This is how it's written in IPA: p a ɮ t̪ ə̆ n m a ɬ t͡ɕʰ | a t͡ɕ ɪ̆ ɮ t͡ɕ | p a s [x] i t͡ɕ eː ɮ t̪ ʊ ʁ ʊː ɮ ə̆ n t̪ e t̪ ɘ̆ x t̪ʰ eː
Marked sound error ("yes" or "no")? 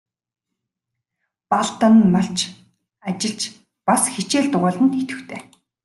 no